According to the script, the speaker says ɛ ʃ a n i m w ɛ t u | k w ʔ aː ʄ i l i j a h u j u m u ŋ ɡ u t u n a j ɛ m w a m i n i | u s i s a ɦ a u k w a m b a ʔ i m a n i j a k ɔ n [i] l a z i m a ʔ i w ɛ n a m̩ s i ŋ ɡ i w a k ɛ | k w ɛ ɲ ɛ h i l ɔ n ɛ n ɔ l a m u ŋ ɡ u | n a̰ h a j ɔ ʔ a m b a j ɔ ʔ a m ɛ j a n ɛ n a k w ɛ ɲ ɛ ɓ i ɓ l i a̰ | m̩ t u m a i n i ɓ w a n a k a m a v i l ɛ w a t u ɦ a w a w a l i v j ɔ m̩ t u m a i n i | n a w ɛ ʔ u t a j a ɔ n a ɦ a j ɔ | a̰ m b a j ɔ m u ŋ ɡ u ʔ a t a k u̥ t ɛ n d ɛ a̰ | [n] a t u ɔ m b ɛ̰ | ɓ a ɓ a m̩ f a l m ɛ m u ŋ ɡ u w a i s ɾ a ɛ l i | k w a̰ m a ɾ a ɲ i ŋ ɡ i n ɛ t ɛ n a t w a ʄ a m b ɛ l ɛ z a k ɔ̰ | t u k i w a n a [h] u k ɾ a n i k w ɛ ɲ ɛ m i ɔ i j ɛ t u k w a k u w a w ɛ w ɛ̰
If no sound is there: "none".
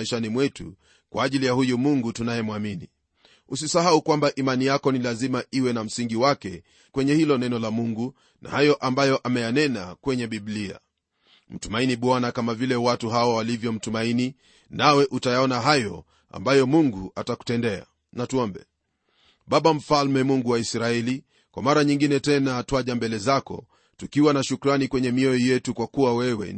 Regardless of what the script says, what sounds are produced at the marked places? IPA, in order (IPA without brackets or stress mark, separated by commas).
i, n, ʃ